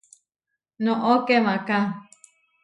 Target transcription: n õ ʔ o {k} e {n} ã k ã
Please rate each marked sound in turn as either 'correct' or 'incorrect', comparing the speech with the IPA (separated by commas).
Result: correct, incorrect